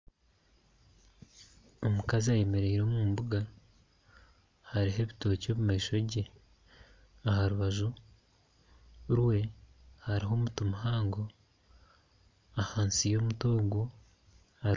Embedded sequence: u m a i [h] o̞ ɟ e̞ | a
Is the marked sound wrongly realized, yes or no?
yes